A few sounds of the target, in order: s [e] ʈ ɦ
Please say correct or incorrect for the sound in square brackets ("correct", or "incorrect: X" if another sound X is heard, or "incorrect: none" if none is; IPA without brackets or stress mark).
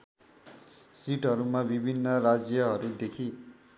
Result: incorrect: i